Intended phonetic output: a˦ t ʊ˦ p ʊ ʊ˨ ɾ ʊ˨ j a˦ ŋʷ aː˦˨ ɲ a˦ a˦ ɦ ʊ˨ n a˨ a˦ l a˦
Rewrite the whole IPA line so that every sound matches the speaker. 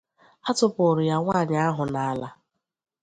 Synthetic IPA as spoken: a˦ t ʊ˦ p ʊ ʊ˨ ɾ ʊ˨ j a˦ ŋʷ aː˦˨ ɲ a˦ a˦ ɦ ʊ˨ n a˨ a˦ l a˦